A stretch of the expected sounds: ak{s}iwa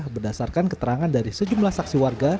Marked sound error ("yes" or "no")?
no